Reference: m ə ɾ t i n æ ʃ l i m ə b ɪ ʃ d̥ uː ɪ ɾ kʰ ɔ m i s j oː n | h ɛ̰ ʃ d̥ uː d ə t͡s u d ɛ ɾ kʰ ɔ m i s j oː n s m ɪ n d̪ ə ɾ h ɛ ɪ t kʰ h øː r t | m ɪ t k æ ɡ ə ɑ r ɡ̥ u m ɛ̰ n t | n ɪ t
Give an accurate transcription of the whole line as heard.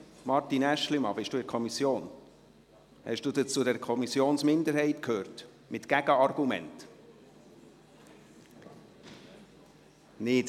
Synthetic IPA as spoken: m ɑ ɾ t i n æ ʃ l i m ɑ b ɪ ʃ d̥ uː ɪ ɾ kʰ ɔ m i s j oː n | h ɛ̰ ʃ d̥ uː d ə t͡s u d ɛ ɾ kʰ ɔ m i s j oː n s m ɪ n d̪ ə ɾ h ɛ ɪ t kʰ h øː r t | m ɪ t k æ ɡ ə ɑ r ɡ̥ u m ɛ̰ n t | n ɪ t